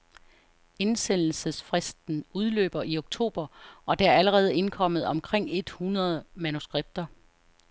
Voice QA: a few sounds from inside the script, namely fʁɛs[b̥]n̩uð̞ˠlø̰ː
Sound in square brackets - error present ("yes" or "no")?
yes